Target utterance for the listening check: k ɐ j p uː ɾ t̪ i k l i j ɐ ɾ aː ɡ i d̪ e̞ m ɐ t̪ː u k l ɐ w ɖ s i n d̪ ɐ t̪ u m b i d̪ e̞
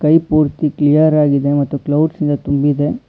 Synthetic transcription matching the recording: k ɐ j p uː ɾ t̪ i k l i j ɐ ɾ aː ɡ i d̪ e̞ m ɐ t̪ː u k l ɐ w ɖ s i n d̪ ɐ t̪ u m b i d̪ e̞